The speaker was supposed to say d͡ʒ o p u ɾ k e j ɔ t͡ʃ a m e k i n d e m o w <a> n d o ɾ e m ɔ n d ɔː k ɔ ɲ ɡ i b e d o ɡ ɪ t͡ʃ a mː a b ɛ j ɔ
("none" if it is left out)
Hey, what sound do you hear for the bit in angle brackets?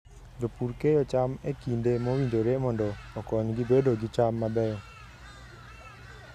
i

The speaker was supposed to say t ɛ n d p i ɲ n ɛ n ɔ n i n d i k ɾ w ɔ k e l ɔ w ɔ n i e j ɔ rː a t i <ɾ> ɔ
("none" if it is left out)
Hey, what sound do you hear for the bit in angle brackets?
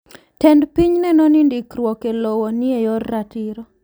ɾ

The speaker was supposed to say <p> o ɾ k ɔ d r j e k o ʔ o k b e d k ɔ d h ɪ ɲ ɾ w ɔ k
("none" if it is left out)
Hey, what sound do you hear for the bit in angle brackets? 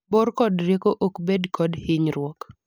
b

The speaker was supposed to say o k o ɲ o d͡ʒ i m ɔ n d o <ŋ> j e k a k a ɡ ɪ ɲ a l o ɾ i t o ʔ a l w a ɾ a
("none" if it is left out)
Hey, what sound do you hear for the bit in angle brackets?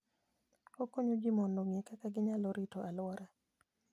ŋ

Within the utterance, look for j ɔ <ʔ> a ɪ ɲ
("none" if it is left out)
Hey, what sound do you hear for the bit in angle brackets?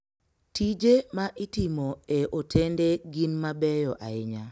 ʔ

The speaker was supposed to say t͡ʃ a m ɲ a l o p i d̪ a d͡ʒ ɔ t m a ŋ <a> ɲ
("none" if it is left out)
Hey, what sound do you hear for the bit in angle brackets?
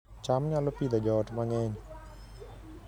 ɛ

